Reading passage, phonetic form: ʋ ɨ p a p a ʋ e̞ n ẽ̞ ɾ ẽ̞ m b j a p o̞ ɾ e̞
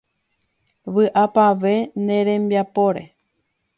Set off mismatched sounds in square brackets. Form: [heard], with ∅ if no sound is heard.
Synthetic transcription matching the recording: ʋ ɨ [ʔ] a p a ʋ e̞ n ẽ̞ ɾ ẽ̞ m b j a p o̞ ɾ e̞